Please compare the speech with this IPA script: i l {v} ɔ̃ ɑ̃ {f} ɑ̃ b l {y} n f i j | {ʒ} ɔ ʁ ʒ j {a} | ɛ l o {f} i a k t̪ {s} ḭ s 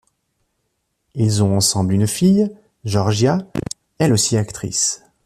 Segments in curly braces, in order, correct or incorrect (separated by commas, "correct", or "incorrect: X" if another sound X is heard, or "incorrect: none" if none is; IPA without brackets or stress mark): incorrect: z, incorrect: s, correct, correct, correct, incorrect: s, incorrect: χ